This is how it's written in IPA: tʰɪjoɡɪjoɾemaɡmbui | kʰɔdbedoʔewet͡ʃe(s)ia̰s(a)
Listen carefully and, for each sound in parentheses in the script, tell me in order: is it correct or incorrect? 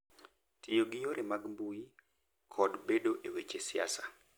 correct, correct

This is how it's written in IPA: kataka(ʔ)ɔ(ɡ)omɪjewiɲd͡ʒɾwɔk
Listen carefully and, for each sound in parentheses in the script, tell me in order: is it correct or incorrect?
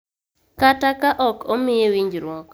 correct, incorrect: k

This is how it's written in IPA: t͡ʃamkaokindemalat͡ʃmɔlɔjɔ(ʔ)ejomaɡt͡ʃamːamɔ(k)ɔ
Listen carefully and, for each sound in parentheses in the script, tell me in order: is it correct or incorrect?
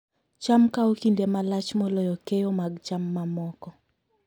incorrect: k, correct

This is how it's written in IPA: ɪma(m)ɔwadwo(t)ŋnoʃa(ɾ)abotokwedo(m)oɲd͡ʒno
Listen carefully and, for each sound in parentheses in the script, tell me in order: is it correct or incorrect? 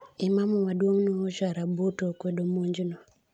correct, incorrect: none, correct, correct

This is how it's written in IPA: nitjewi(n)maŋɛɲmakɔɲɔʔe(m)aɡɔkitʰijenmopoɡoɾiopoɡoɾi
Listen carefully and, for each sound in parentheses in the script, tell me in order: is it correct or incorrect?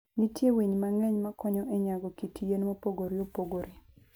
incorrect: ɲ, incorrect: ɲ

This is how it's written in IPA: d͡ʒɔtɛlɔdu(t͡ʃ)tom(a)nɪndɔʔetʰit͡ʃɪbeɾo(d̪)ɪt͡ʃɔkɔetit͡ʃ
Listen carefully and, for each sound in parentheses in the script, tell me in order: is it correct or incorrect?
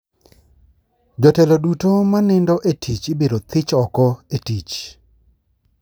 incorrect: none, correct, incorrect: t̪

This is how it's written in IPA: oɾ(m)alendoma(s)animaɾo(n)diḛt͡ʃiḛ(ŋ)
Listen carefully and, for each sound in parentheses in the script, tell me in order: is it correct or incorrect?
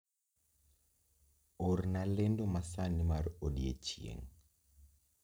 incorrect: n, correct, incorrect: none, correct

